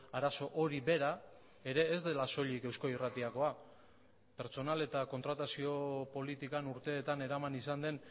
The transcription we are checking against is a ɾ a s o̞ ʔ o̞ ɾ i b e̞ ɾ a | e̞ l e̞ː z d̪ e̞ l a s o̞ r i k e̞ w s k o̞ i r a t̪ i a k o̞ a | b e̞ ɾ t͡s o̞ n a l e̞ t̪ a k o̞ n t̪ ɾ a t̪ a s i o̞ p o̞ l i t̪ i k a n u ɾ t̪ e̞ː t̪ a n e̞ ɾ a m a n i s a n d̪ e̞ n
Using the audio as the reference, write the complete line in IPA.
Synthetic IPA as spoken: a ɾ a s o̞ ʔ o̞ ɾ i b e̞ ɾ a | e̞ ɾ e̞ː z d̪ e̞ l a s o̞ ʎ i k e̞ w s k o̞ i r a t̪ i a k o̞ a | p e̞ ɾ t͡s o̞ n a l e̞ t̪ a k o̞ n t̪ ɾ a t̪ a s i o̞ p o̞ l i t̪ i k a n u ɾ t̪ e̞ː t̪ a n e̞ ɾ a m a n i s a n d̪ e̞ n

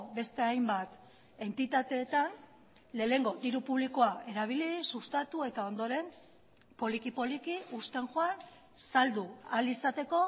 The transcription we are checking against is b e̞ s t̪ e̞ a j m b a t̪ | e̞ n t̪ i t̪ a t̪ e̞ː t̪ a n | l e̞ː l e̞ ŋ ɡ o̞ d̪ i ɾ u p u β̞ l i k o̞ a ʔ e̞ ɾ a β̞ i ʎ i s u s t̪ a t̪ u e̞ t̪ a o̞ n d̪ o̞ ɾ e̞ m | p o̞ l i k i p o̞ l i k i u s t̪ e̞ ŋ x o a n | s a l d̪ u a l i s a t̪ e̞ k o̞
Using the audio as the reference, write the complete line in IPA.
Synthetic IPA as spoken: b e̞ s t̪ e̞ a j m b a t̪ | e̞ n t̪ i t̪ a t̪ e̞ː t̪ a n | l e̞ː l e̞ ŋ ɡ o̞ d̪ i ɾ u p u β̞ l i k o̞ a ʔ e̞ ɾ a β̞ i l i s u s t̪ a t̪ u e̞ t̪ a o̞ n d̪ o̞ ɾ e̞ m | p o̞ l i k i p o̞ l i k i u s t̪ e̞ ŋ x o a n | s a l d̪ u a l i s a t̪ e̞ k o̞

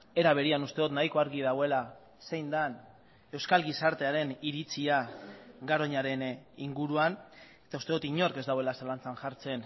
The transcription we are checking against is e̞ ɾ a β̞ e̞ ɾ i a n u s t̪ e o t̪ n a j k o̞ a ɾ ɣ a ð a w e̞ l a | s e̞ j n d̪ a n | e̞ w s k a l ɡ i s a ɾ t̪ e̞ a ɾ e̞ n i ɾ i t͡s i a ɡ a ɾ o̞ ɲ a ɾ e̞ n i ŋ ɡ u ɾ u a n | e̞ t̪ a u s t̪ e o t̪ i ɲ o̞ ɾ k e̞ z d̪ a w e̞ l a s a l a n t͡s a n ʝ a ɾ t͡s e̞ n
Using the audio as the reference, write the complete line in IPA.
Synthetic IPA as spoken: e̞ ɾ a β̞ e̞ ɾ i a n u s t̪ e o t̪ n a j k o̞ a ɾ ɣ i ð a w e̞ l a | s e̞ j n d̪ a n | e̞ w s k a l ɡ i s a ɾ t̪ e̞ a ɾ e̞ n i ɾ i t͡s i a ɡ a ɾ o̞ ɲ a ɾ e̞ n i ŋ ɡ u ɾ u a n | e̞ t̪ a u s t̪ e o t̪ i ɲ o̞ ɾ k e̞ z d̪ a w e̞ l a s a l a n t͡s a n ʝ a ɾ t͡s e̞ n

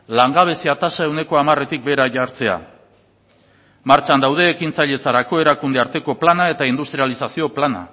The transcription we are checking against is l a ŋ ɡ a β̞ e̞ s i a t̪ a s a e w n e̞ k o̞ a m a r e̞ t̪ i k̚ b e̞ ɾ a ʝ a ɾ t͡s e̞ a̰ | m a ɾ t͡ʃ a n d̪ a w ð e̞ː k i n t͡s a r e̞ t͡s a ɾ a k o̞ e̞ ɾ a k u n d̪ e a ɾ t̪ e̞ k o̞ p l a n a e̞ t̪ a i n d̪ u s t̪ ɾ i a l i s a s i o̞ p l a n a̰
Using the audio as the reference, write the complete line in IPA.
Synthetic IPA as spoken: l a ŋ ɡ a β̞ e̞ s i a t̪ a s a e w n e̞ k o̞ a m a r e̞ t̪ i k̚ b e̞ ɾ a ʝ a ɾ t͡s e̞ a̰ | m a ɾ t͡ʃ a n d̪ a w ð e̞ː k i n t͡s a ʎ e̞ t͡s a ɾ a k o̞ e̞ ɾ a k u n d̪ e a ɾ t̪ e̞ k o̞ p l a n a e̞ t̪ a i n d̪ u s t̪ ɾ i a l i s a s i o̞ p l a n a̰

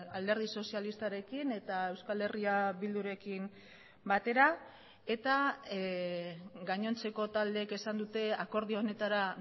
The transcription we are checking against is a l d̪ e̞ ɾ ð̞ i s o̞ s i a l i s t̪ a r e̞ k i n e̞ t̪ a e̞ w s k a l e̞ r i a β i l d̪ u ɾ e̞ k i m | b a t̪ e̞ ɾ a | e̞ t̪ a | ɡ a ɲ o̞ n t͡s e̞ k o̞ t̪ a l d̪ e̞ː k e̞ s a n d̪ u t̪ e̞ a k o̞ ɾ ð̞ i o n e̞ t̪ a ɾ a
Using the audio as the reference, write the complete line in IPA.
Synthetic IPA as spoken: a l d̪ e̞ ɾ ð̞ i s o̞ s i a l i s t̪ a ɾ e̞ k i n e̞ t̪ a e̞ w s k a l e̞ r i a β i l d̪ u ɾ e̞ k i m | b a t̪ e̞ ɾ a | e̞ t̪ a | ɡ a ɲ o̞ n t͡s e̞ k o̞ t̪ a l d̪ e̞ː k e̞ s a n d̪ u t̪ e̞ a k o̞ ɾ ð̞ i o n e̞ t̪ a ɾ a

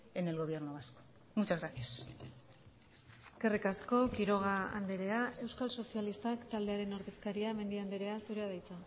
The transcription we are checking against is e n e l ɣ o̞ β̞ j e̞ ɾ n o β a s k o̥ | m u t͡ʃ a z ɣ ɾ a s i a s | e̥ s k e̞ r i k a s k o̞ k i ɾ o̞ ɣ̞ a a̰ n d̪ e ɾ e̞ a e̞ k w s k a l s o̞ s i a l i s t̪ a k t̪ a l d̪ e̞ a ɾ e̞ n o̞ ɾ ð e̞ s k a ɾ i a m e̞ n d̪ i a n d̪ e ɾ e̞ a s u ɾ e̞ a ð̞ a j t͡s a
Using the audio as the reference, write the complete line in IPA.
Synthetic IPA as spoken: e n e l ɣ o̞ β̞ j e̞ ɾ n o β a s k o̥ | m u t͡ʃ a z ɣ ɾ a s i a s | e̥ s k e̞ r i k a s k o̞ k i ɾ o̞ ɣ̞ a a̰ n d̪ e ɾ e̞ a e̞ w s k a l s o̞ s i a l i s t̪ a k t̪ a l d̪ e̞ a ɾ e̞ n o̞ ɾ ð e̞ s k a ɾ i a m e̞ n d̪ i a n d̪ e ɾ e̞ a s u ɾ e̞ a ð̞ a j t͡s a

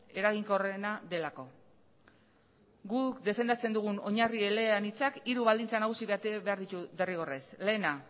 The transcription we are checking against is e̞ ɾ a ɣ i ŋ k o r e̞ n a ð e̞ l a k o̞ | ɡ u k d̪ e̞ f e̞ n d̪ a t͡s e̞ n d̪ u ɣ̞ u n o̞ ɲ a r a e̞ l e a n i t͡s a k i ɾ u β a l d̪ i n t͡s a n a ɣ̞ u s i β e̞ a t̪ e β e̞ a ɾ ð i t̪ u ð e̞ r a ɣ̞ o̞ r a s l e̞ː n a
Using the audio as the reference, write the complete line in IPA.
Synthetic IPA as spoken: e̞ ɾ a ɣ i ŋ k o r e̞ n a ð e̞ l a k o̞ | ɡ u k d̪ e̞ f e̞ n d̪ a t͡s e̞ n d̪ u ɣ̞ u n o̞ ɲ a r i e̞ l e a n i t͡s a k i ɾ u β a l d̪ i n t͡s a n a ɣ̞ u s i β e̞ a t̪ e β e̞ a ɾ ð i t̪ u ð e̞ r i ɣ̞ o̞ r e s l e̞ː n a

